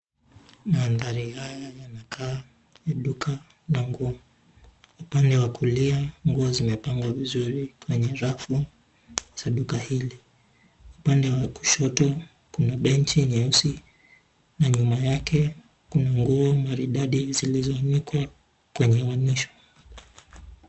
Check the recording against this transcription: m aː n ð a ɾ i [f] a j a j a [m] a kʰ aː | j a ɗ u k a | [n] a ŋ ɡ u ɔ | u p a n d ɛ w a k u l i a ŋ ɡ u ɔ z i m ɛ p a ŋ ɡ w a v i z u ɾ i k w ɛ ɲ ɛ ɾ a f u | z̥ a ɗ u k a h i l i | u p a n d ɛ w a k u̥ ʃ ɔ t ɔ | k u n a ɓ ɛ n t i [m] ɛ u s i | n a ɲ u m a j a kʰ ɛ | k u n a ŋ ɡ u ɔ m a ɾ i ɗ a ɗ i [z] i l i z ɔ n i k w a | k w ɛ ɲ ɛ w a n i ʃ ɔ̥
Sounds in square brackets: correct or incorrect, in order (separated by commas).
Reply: incorrect, incorrect, correct, incorrect, correct